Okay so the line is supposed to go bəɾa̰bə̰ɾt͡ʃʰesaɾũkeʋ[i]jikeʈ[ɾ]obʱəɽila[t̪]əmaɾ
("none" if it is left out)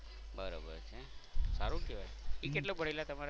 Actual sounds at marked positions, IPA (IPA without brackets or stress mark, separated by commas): a, l, t̪